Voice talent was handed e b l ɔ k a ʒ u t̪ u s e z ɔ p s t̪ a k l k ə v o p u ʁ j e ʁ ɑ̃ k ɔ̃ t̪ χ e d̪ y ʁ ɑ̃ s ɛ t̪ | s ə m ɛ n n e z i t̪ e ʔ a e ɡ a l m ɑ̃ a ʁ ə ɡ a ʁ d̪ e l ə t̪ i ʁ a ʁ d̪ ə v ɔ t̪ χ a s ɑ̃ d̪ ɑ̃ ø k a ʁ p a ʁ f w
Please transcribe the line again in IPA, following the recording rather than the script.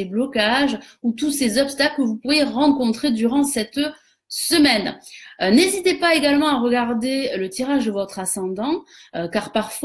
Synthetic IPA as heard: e b l ɔ k a ʒ u t̪ u s e z ɔ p s t̪ a k l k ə v u p u ʁ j e ʁ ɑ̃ k ɔ̃ t̪ χ e d̪ y ʁ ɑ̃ s ɛ t̪ | s ə m ɛ n n e z i t̪ e p a e ɡ a l m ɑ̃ a ʁ ə ɡ a ʁ d̪ e l ə t̪ i ʁ a ʒ d̪ ə v ɔ t̪ χ a s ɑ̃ d̪ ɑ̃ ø k a ʁ p a ʁ f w